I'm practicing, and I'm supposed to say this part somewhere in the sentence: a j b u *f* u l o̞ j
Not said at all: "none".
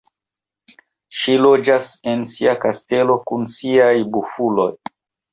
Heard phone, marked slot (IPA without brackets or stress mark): f